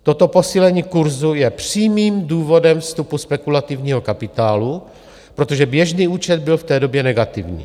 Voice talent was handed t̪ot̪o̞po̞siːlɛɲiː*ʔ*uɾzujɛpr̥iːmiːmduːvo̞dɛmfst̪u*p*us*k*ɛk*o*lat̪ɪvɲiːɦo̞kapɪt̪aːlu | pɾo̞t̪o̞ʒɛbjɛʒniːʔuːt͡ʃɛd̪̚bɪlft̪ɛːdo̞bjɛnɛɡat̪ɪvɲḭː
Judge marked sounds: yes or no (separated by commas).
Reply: no, yes, no, no